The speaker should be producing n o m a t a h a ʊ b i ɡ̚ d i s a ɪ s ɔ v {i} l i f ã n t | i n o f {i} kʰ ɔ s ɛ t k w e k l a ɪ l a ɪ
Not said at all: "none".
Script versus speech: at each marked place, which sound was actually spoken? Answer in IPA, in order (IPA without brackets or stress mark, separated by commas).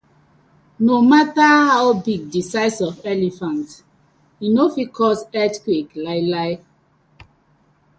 ɛ, i